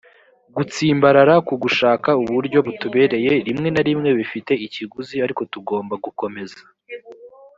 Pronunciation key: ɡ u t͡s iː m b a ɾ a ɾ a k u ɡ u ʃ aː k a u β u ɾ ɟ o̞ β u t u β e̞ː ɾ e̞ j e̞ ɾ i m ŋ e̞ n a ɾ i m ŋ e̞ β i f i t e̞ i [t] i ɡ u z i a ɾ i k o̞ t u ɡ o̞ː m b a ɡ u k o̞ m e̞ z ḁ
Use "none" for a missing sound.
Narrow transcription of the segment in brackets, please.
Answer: c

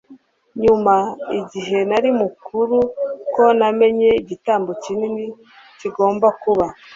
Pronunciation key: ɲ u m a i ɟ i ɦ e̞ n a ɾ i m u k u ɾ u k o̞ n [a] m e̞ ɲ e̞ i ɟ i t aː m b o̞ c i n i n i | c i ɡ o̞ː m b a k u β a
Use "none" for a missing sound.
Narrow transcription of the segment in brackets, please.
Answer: a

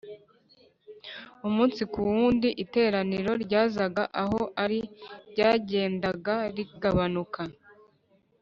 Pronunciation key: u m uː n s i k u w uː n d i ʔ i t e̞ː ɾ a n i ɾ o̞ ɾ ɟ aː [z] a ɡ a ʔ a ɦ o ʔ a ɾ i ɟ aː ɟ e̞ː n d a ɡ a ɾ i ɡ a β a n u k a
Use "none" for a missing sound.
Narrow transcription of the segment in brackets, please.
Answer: z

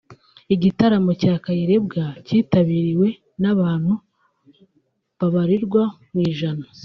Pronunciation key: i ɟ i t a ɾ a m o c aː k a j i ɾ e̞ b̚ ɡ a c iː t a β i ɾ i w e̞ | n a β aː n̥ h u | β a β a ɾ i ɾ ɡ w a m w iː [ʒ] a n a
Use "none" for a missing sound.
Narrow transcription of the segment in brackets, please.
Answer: ʒ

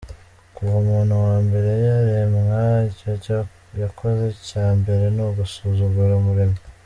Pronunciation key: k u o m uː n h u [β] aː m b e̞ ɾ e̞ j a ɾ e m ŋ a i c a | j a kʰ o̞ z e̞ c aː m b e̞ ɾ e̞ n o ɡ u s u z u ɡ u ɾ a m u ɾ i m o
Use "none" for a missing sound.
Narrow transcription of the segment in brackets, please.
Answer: w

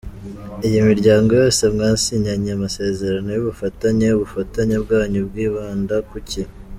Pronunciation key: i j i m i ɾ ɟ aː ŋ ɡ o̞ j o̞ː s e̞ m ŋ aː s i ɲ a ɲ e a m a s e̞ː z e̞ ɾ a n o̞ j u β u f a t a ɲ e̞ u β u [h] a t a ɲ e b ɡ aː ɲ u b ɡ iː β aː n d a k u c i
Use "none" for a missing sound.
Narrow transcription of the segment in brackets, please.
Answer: f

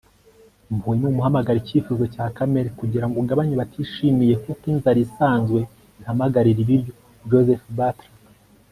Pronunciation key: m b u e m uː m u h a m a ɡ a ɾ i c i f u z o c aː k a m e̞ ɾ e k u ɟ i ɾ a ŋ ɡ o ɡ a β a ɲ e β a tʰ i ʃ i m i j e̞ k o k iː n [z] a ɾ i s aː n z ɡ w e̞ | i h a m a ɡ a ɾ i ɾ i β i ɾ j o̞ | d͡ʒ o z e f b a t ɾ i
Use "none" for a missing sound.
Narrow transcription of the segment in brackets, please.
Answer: z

